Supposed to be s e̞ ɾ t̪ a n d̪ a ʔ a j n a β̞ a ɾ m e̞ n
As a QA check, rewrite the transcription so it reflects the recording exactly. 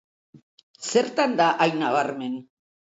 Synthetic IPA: s e̞ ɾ t̪ a n d̪ a ʔ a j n a β̞ a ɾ m e̞ n

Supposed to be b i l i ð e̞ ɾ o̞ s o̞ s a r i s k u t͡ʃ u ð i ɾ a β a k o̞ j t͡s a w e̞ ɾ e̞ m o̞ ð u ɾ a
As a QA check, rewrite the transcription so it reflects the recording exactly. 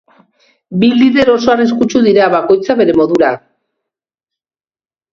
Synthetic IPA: b i l i ð e̞ ɾ o̞ s o̞ a r i s k u t͡ʃ u ð i ɾ a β a k o̞ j t͡s a β e̞ ɾ e̞ m o̞ ð u ɾ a

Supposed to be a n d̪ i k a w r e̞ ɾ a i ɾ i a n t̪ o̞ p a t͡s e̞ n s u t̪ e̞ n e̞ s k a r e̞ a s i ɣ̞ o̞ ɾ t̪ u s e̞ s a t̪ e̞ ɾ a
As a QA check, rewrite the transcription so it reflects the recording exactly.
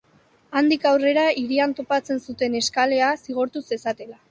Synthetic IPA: a n d̪ i k a w r e̞ ɾ a i ɾ i a n t̪ o̞ p a t͡s e̞ n s u t̪ e̞ n e̞ s k a l e̞ a s i ɣ̞ o̞ ɾ t̪ u s e̞ s a t̪ e̞ l a

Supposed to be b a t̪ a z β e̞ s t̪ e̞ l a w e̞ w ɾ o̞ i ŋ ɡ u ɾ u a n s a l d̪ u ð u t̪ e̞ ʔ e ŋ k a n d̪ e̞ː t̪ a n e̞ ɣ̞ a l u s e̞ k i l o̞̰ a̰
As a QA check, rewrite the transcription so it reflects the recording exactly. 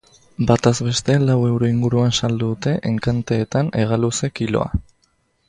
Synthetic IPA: b a t̪ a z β e̞ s t̪ e̞ l a w e̞ w ɾ o̞ i ŋ ɡ u ɾ u a n s a l d̪ u ð u t̪ e̞ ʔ e ŋ k a n t̪ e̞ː t̪ a n e̞ ɣ̞ a l u s e̞ k i l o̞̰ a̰

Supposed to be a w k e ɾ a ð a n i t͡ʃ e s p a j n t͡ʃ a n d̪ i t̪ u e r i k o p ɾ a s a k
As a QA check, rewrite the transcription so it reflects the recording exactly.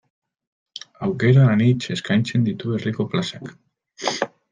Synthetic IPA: a w k e ɾ a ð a n i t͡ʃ e s k a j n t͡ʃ e n d̪ i t̪ u e r i k o p l a s a k

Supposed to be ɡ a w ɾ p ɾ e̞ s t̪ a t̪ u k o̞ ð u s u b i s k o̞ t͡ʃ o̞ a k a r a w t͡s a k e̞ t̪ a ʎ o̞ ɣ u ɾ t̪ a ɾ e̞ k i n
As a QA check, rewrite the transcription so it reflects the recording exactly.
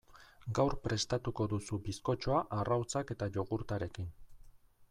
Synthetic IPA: ɡ a w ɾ p ɾ e̞ s t̪ a t̪ u k o̞ ð u s u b i s k o̞ t͡ʃ o̞ a ʔ a r a w t͡s a k e̞ t̪ a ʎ o̞ ɣ u ɾ t̪ a ɾ e̞ k i n

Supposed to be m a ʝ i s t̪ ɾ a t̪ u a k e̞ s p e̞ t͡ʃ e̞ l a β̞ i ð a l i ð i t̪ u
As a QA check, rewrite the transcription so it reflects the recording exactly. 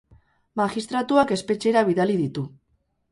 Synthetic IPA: m a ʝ i s t̪ ɾ a t̪ u a k e̞ s p e̞ t͡ʃ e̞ ɾ a β̞ i ð a l i ð i t̪ u

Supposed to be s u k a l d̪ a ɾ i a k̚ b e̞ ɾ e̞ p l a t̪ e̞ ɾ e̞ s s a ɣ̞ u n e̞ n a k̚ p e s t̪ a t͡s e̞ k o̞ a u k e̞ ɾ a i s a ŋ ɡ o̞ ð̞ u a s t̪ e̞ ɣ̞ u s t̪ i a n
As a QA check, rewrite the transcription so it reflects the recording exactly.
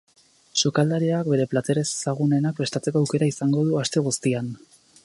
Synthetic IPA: s u k a l d̪ a ɾ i a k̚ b e̞ ɾ e̞ p l a t̪ e̞ ɾ e̞ s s a ɣ̞ u n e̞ n a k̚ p e s t̪ a t͡s e̞ k o̞ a w k e̞ ɾ a i s a ŋ ɡ o̞ ð̞ u a s t̪ e̞ ɣ̞ u s t̪ i a n

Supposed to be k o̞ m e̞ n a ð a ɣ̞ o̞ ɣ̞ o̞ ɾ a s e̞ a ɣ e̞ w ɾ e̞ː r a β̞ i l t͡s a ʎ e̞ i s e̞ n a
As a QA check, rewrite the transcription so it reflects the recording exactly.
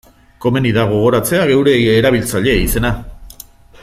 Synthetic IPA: k o̞ m e̞ n i ð a ɣ̞ o̞ ɣ̞ o̞ ɾ a t͡s e̞ a ɣ e̞ w ɾ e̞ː ɾ a β̞ i l t͡s a ʎ e̞ i s e̞ n a

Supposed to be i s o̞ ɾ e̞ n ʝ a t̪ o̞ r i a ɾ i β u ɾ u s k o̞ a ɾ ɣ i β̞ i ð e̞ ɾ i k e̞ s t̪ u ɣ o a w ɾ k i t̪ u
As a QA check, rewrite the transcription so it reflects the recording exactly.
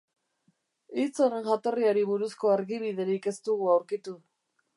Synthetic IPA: i t͡s o̞ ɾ e̞ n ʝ a t̪ o̞ r i a ɾ i β u ɾ u s k o̞ a ɾ ɣ i β̞ i ð e̞ ɾ i k e̞ s t̪ u ɣ u a w ɾ k i t̪ u

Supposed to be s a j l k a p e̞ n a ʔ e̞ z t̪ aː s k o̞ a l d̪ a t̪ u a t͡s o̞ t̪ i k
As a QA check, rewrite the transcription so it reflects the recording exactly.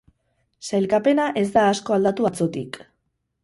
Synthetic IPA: s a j l k a p e̞ n a ʔ e̞ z d̪ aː s k o̞ a l d̪ a t̪ u a t͡s o̞ t̪ i k

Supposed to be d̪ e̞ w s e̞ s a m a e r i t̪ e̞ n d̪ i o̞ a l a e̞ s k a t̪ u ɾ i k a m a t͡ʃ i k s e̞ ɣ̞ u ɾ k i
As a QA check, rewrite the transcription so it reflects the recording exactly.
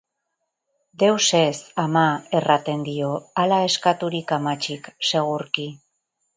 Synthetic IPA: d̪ e̞ w s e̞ s a m a e r a t̪ e̞ n d̪ i o̞ a l a e̞ s k a t̪ u ɾ i k a m a t͡ʃ i k s e̞ ɣ̞ u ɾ k i

